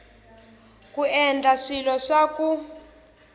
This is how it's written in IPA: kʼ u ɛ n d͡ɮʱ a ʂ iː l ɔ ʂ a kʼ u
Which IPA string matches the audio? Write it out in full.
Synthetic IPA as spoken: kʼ u ɛ n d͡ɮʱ a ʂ i l ɔ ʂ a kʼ u